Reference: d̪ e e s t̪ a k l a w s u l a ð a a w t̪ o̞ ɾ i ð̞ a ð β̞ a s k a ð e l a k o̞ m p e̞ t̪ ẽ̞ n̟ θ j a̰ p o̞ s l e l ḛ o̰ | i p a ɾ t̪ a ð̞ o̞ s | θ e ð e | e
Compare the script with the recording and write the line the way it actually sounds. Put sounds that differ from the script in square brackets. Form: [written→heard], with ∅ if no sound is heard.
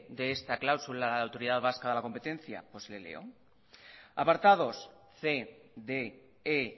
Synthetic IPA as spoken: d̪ e e s t̪ a k l a w s u l a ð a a w t̪ o̞ ɾ i ð̞ a ð β̞ a s k a ð e l a k o̞ m p e̞ t̪ [ẽ̞→e̞] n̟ θ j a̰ p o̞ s l e l ḛ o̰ | [i→a] p a ɾ t̪ a ð̞ o̞ s | θ e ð e | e

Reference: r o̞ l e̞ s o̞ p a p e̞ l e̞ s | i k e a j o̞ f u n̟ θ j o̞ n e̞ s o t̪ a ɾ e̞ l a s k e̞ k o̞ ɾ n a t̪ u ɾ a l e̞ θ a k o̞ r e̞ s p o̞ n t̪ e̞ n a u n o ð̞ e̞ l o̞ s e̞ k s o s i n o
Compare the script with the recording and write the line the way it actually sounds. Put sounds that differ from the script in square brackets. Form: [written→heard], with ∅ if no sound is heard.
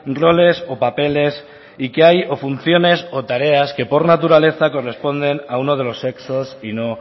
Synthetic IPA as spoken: r o̞ l e̞ s o̞ p a p e̞ l e̞ s | i k e a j o̞ f u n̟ θ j o̞ n e̞ s o t̪ a ɾ e̞ [l→∅] a s k e̞ [k→p] o̞ ɾ n a t̪ u ɾ a l e̞ θ a k o̞ r e̞ s p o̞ n [t̪→d̪] e̞ n a u n o ð̞ e̞ l o̞ s e̞ k s o s i n o

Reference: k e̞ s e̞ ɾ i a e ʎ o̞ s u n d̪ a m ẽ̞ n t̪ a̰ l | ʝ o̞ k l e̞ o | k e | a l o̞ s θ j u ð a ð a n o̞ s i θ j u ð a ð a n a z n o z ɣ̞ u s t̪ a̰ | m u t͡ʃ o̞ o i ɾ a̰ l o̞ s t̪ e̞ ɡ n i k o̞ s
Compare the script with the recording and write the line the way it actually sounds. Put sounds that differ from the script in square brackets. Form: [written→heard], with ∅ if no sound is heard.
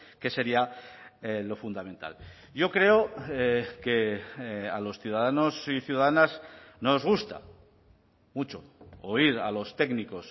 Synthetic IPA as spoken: k e̞ s e̞ ɾ i a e [ʎ→l] o̞ [s→f] u n d̪ a m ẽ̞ n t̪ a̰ l | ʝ o̞ k [l→ɾ] e̞ o | k e | a l o̞ s θ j u ð a ð a n o̞ s i θ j u ð a ð a n a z n o z ɣ̞ u s t̪ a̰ | m u t͡ʃ o̞ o i ɾ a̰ l o̞ s t̪ e̞ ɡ n i k o̞ s

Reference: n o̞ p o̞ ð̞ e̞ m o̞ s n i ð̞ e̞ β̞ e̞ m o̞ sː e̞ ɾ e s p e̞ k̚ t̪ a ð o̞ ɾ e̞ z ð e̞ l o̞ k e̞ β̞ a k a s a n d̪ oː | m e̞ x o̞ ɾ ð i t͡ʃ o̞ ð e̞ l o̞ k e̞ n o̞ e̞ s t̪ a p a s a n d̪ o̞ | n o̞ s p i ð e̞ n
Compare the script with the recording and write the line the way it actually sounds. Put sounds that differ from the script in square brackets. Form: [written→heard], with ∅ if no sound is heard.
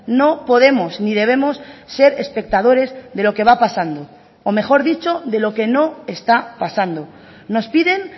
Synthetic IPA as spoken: n o̞ p o̞ ð̞ e̞ m o̞ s n i ð̞ e̞ β̞ e̞ m o̞ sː e̞ ɾ e s p e̞ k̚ t̪ a ð o̞ ɾ e̞ z ð e̞ l o̞ k e̞ β̞ a [k→p] a s a n d̪ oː | m e̞ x o̞ ɾ ð i t͡ʃ o̞ ð e̞ l o̞ k e̞ n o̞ e̞ s t̪ a p a s a n d̪ o̞ | n o̞ s p i ð e̞ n

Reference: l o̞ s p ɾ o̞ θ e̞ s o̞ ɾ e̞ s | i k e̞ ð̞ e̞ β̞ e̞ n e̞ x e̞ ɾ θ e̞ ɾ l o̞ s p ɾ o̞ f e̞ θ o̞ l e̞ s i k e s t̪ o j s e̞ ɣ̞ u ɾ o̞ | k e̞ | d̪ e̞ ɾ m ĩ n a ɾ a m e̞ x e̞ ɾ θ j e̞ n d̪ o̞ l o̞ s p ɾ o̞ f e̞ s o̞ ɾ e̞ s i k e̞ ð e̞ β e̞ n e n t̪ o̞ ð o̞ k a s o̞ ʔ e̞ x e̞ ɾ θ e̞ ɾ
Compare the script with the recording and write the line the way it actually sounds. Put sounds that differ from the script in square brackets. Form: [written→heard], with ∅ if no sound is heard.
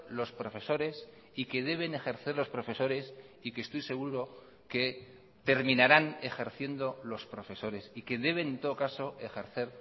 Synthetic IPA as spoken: l o̞ s p ɾ o̞ [θ→f] e̞ s o̞ ɾ e̞ s | i k e̞ ð̞ e̞ β̞ e̞ n e̞ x e̞ ɾ θ e̞ ɾ l o̞ s p ɾ o̞ f e̞ [θ→s] o̞ [l→ɾ] e̞ s i k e s t̪ o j s e̞ ɣ̞ u ɾ o̞ | k e̞ | [d̪→t̪] e̞ ɾ m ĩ n a ɾ a [m→n] e̞ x e̞ ɾ θ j e̞ n d̪ o̞ l o̞ s p ɾ o̞ f e̞ s o̞ ɾ e̞ s i k e̞ ð e̞ β e̞ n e n t̪ o̞ ð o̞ k a s o̞ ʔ e̞ x e̞ ɾ θ e̞ ɾ

